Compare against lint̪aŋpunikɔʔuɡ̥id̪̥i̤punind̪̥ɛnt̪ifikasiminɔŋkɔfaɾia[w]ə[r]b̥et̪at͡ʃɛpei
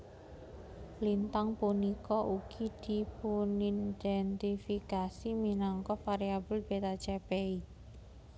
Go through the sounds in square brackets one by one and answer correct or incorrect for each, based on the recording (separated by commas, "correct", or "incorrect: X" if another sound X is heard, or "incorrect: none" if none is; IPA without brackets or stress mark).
incorrect: b, incorrect: l